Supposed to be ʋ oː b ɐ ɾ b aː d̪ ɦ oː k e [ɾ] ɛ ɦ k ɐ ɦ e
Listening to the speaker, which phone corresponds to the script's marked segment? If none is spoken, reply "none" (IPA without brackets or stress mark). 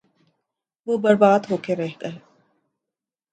ɾ